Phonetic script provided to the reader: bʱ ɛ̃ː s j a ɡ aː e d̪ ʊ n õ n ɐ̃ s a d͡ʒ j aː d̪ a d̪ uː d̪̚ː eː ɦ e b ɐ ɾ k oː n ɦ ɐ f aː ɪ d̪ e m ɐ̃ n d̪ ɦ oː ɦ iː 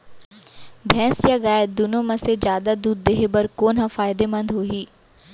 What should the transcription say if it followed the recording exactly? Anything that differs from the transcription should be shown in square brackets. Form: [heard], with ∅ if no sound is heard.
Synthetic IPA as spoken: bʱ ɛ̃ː s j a ɡ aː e d̪ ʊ n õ [m] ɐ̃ s [e] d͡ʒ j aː d̪ a d̪ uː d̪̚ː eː ɦ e b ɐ ɾ k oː n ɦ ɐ f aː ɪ d̪ e m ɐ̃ n d̪ ɦ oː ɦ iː